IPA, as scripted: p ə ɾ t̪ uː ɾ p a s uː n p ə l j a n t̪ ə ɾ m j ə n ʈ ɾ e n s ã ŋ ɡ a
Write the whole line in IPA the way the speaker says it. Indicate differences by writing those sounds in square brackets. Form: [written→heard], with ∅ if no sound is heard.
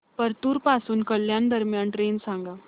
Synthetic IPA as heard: p ə ɾ t̪ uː ɾ p a s uː n [p→k] ə l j a n [t̪→d̪] ə ɾ m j [ə→a] n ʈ ɾ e n s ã ŋ ɡ a